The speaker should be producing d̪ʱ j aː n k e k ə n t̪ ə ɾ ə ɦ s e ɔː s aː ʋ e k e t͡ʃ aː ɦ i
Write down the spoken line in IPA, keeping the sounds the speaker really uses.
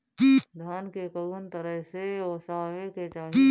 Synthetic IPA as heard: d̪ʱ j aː n k e k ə n t̪ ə ɾ ə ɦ s e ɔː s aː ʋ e k e t͡ʃ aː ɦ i